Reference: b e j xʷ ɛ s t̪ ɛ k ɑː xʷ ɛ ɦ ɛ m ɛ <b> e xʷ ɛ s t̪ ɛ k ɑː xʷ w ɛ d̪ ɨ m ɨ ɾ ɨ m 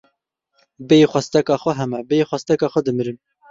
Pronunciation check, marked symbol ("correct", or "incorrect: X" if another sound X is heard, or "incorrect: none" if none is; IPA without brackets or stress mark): correct